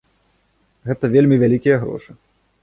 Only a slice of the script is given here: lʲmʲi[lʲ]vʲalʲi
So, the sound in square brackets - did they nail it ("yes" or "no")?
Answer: no